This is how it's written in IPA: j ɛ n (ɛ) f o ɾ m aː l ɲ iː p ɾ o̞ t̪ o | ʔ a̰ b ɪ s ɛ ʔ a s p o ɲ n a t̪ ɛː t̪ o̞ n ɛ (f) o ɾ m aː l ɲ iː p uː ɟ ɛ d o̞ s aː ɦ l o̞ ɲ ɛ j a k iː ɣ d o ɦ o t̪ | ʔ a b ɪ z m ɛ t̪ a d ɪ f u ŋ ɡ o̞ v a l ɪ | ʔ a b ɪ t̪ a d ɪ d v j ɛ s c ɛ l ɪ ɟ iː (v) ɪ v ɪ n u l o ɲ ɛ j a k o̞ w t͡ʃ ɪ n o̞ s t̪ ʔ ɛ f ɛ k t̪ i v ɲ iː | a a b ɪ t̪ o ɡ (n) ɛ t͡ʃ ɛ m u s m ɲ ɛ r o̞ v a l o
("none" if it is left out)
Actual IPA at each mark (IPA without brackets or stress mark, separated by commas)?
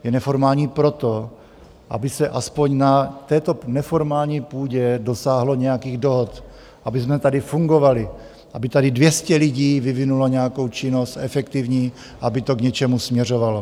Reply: ɛ, f, v, ɲ